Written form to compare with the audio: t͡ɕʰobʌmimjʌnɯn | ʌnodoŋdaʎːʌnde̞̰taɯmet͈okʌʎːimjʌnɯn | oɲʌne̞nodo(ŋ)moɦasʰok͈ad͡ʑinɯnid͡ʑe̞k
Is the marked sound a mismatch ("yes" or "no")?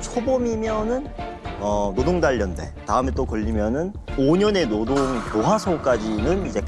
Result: no